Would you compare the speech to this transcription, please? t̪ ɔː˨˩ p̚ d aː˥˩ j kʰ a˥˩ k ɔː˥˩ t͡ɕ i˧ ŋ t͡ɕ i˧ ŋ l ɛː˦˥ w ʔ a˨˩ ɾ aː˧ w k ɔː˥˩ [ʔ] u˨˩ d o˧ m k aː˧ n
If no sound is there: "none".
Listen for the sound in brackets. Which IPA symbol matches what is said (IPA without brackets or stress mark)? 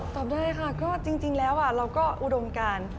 ʔ